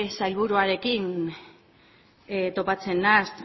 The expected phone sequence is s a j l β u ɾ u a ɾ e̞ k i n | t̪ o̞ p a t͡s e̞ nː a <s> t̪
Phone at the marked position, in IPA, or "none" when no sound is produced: s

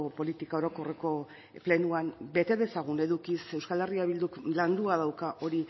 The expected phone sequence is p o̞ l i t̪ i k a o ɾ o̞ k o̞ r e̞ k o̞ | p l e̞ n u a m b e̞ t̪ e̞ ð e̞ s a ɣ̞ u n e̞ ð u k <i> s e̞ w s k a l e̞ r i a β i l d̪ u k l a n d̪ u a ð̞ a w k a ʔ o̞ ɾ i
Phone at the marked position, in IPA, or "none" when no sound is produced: i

